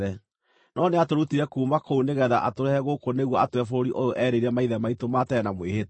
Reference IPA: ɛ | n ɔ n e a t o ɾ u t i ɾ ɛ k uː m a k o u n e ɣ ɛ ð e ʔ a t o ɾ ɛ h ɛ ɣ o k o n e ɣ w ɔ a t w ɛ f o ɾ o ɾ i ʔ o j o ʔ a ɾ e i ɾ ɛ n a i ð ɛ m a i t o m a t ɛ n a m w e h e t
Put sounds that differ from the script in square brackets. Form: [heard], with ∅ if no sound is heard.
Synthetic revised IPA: ɛ | n ɔ n e a t o ɾ u t i ɾ ɛ k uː m a k o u n e ɣ ɛ ð [a] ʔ a t o ɾ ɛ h ɛ ɣ o k o n e ɣ w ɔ a t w ɛ f o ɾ o ɾ i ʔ o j o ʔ [ɛ] ɾ e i ɾ ɛ [m] a i ð ɛ m a i t o m a t ɛ n a m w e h e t